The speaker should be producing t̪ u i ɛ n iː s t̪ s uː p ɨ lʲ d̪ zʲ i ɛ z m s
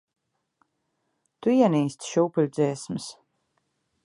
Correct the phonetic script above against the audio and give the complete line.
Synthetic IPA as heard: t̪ u i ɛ n iː s t̪ ʃ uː p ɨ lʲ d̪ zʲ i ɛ s m s